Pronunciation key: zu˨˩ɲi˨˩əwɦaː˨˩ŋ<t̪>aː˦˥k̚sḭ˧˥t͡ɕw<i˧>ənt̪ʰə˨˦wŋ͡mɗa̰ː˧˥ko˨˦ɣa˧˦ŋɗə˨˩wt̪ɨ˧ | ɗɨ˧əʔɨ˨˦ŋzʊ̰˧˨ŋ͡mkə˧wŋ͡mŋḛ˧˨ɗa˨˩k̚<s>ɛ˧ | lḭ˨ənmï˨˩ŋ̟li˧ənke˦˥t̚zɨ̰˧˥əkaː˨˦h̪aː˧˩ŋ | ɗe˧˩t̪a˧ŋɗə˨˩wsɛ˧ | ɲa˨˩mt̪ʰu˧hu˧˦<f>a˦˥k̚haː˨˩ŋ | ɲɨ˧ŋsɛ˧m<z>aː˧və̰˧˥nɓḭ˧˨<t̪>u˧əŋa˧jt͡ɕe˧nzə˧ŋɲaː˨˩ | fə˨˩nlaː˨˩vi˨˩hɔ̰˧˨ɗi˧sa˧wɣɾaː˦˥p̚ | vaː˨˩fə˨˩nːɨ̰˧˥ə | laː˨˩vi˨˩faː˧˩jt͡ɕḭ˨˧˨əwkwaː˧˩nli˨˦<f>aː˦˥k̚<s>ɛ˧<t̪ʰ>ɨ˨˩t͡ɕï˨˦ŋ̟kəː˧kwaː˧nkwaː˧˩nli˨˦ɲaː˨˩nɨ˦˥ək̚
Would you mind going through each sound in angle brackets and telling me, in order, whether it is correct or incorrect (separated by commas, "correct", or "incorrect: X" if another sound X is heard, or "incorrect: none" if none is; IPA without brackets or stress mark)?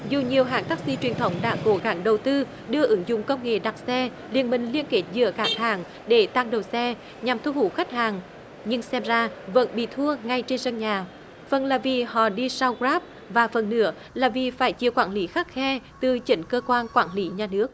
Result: correct, incorrect: i˨˩, correct, incorrect: x, correct, incorrect: t̪ʰ, incorrect: x, incorrect: x, incorrect: t̪